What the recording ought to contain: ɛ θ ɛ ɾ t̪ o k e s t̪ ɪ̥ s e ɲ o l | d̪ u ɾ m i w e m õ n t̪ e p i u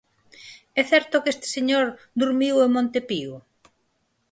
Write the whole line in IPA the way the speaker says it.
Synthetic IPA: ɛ θ ɛ ɾ t̪ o k e s t̪ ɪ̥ s e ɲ o ɾ | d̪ u ɾ m i w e m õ n t̪ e p i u

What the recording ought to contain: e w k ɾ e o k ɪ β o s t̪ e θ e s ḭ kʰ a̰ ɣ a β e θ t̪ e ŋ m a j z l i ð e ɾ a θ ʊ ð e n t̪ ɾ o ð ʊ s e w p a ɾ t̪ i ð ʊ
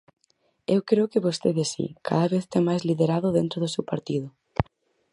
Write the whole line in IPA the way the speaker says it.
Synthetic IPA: e w k ɾ e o k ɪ β o s t̪ e ð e s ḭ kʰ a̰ ð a β e θ t̪ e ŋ m a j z l i ð e ɾ a ð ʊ ð e n t̪ ɾ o ð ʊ s e w p a ɾ t̪ i ð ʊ

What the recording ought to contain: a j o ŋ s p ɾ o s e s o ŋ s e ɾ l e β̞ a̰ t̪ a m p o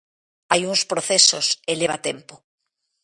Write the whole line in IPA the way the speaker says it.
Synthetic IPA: a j u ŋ s p ɾ o θ e s o s e l e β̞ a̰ t̪ e m p o

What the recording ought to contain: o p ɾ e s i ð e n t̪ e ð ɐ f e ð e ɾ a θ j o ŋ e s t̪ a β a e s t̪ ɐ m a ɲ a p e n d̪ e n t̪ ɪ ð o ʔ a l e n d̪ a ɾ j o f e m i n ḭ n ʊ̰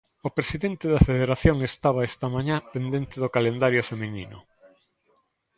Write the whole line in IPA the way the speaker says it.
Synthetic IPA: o p ɾ e s i ð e n t̪ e ð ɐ f e ð e ɾ a θ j o ŋ e s t̪ a β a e s t̪ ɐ m a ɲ a p e n d̪ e n t̪ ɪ ð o k a l e n d̪ a ɾ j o f e m i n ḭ n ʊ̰

